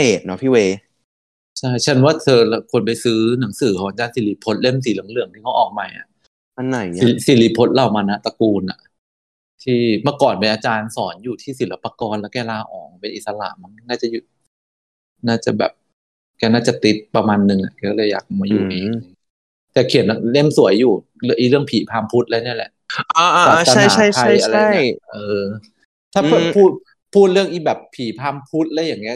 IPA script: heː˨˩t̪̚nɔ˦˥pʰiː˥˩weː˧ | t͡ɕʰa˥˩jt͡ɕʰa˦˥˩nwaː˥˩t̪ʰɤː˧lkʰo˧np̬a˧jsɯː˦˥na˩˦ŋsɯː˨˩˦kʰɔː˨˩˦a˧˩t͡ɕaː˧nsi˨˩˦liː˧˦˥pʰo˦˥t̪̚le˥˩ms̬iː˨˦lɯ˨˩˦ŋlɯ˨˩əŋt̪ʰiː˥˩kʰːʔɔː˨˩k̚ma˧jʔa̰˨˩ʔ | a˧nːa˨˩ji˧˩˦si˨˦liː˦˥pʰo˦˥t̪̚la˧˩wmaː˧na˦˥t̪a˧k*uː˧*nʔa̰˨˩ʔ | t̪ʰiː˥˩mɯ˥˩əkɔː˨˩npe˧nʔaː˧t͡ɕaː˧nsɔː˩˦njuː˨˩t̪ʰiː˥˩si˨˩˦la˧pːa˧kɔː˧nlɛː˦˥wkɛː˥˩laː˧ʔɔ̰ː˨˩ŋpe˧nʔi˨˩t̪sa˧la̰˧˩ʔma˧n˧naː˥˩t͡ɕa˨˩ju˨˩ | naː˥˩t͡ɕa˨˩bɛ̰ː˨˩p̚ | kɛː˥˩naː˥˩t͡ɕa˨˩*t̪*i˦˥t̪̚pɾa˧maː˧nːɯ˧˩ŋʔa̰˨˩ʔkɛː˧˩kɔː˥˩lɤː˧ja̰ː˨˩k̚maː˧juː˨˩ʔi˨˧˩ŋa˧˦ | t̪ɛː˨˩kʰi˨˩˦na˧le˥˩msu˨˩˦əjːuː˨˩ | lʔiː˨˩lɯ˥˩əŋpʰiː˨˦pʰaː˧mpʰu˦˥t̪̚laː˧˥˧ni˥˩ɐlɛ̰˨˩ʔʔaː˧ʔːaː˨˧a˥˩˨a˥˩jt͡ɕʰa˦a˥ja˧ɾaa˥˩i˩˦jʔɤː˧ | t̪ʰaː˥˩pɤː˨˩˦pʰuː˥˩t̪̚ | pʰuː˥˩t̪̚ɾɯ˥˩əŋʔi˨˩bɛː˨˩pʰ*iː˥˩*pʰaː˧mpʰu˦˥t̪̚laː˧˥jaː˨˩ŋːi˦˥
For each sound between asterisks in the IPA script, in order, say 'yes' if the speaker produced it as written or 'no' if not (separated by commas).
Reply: yes, yes, no